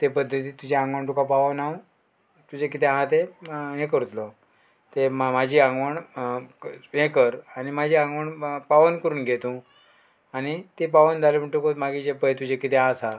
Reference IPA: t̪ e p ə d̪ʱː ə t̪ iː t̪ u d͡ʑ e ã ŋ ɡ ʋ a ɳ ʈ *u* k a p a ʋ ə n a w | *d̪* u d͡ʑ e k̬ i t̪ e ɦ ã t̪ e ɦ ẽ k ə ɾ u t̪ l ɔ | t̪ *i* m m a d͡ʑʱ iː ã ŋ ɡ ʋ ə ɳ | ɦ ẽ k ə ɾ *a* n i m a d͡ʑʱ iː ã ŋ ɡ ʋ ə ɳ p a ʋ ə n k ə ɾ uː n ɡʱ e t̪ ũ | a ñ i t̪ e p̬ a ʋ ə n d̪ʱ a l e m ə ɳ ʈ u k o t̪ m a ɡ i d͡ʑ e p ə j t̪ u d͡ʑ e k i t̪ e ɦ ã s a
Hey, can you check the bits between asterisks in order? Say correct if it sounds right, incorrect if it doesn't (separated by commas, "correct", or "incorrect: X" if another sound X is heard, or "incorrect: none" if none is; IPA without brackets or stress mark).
correct, incorrect: t̪, incorrect: e, correct